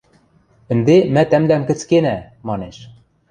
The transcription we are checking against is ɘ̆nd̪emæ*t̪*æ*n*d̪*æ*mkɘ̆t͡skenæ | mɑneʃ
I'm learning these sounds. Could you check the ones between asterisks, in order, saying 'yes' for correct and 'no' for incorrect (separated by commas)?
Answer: yes, no, yes